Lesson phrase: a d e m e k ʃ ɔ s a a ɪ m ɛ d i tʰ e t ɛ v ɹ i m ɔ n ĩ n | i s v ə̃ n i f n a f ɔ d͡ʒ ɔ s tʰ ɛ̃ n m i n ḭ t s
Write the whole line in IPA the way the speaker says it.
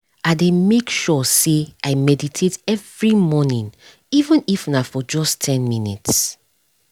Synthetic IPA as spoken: a d e m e k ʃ ɔ s e a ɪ m ɛ d i tʰ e t ɛ v ɹ i m ɔ n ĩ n | i v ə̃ n i f n a f ɔ d͡ʒ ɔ s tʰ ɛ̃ n m i n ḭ t s